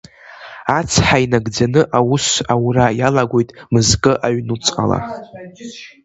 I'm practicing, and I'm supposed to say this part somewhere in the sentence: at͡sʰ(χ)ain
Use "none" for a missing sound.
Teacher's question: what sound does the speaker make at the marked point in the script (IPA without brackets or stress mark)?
ħ